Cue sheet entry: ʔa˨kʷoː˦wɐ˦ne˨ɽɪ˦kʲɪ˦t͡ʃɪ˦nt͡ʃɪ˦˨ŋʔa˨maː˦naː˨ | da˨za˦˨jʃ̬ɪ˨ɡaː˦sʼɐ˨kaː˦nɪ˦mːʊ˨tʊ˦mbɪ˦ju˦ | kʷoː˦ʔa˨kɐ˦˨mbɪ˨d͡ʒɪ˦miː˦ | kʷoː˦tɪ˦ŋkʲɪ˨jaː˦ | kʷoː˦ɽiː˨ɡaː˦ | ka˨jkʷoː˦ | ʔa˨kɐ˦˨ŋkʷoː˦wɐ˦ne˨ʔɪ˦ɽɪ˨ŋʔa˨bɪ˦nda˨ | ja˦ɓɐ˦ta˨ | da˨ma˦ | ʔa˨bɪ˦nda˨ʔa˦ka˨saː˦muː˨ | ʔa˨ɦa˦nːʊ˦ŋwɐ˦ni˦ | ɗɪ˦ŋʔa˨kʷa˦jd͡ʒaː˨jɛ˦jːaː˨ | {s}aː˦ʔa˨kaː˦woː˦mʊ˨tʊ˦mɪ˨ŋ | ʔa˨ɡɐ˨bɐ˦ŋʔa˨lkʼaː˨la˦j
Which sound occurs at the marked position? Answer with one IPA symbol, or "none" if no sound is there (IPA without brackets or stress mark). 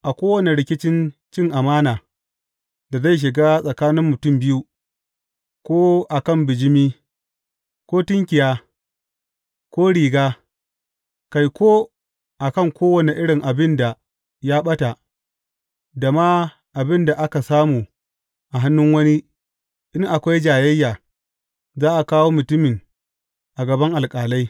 z